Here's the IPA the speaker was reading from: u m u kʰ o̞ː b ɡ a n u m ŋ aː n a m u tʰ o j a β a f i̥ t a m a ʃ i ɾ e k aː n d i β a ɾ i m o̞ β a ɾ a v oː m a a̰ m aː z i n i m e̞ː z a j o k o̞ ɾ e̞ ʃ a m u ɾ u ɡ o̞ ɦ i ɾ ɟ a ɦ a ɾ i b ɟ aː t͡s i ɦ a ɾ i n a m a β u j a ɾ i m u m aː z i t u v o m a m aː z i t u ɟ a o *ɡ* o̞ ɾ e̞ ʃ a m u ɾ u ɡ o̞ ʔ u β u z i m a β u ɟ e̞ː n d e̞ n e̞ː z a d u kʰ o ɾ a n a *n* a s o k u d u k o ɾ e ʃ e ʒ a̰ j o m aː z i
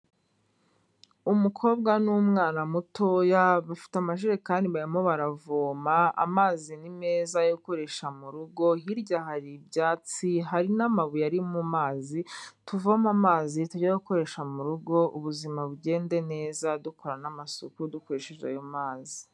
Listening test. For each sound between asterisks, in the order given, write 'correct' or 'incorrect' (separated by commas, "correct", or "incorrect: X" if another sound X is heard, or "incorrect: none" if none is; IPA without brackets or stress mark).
incorrect: k, incorrect: m